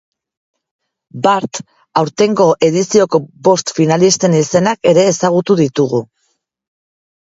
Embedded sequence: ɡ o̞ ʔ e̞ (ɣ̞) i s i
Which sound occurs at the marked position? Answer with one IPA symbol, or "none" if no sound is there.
ð̞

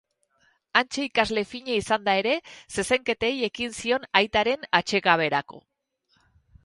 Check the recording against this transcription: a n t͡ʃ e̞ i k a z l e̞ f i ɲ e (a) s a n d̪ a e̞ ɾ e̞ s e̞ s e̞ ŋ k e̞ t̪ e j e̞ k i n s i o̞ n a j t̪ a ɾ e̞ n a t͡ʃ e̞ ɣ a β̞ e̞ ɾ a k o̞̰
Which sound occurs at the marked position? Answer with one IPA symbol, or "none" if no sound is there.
i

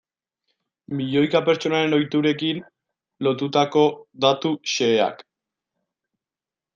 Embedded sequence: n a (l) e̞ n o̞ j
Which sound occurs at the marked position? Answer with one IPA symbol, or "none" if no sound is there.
ɾ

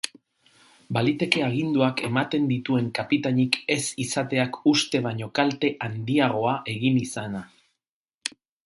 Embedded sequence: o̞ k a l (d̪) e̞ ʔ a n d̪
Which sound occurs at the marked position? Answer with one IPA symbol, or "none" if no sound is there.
t̪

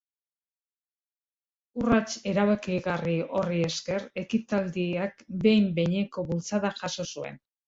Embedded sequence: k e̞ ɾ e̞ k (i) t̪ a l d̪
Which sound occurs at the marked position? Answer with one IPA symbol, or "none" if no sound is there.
i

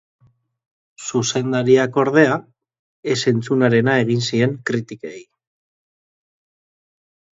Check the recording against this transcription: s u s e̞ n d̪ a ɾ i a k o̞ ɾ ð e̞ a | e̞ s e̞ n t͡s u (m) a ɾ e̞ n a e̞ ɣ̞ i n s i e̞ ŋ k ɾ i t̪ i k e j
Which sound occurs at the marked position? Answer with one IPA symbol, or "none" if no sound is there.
n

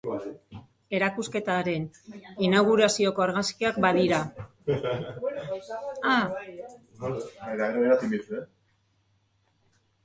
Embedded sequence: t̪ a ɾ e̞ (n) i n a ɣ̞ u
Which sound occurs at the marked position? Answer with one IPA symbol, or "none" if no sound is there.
n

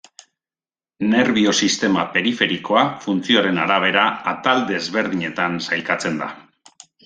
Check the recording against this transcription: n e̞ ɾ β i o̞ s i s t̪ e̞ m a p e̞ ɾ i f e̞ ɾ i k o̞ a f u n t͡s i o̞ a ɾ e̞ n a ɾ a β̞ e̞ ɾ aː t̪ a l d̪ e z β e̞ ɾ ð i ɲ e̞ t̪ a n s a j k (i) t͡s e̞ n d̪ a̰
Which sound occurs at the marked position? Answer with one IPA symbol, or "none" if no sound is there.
a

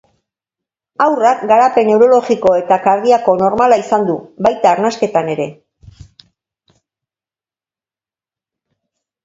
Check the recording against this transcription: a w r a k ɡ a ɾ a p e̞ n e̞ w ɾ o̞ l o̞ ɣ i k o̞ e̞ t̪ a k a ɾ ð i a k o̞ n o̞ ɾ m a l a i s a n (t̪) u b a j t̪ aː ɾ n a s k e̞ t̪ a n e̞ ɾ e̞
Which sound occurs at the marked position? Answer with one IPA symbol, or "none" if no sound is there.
d̪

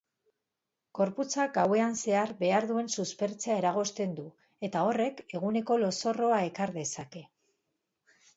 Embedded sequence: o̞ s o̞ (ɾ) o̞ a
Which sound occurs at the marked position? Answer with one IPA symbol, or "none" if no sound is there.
r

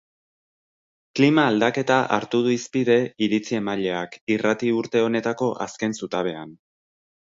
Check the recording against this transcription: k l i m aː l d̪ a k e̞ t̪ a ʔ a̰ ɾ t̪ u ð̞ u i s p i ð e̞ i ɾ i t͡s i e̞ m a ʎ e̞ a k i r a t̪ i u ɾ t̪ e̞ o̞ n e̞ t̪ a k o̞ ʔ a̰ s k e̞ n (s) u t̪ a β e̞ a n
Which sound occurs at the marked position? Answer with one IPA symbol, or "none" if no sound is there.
s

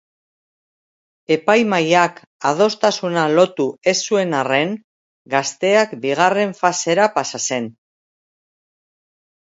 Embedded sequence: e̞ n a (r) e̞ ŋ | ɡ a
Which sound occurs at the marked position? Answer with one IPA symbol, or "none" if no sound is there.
r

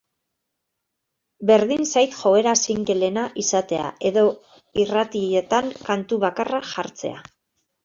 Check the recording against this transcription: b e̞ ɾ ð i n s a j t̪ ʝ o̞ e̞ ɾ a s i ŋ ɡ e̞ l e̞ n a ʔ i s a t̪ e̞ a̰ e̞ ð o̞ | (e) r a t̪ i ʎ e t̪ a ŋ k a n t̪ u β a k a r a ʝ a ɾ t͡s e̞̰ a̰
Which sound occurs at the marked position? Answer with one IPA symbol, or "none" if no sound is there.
i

